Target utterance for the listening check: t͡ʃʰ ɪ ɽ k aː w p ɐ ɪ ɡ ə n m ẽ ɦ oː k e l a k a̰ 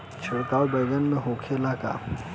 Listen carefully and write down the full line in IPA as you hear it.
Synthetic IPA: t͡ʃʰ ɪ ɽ k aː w b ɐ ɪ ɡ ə n m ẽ ɦ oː kʰ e l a k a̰